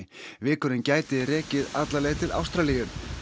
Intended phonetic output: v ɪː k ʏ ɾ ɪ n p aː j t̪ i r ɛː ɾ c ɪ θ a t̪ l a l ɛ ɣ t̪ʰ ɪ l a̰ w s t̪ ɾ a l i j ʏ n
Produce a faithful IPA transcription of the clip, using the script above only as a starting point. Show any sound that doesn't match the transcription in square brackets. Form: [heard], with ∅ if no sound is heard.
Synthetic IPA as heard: v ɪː k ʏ ɾ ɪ n [c] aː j t̪ [ɪ] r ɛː [∅] c ɪ [ð] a t̪ l a l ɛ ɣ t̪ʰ ɪ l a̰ w s t̪ ɾ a l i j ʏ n